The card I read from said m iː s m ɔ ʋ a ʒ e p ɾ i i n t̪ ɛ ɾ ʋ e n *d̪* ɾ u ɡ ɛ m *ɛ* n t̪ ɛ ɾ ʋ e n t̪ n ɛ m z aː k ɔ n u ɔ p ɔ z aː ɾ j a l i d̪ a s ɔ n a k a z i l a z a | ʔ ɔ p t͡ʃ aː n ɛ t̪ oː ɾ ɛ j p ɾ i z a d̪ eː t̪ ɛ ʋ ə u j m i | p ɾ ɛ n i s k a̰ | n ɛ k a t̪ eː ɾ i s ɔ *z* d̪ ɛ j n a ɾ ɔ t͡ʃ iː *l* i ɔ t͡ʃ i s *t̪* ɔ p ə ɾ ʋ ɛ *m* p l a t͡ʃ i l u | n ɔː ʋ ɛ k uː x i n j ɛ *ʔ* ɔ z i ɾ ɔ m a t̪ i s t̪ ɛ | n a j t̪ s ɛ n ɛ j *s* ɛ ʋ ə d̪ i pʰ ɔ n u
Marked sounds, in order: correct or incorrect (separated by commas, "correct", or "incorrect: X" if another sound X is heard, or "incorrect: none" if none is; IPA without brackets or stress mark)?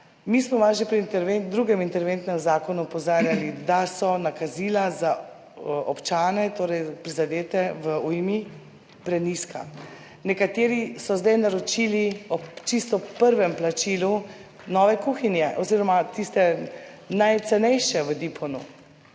correct, incorrect: i, correct, correct, correct, correct, correct, incorrect: ʃ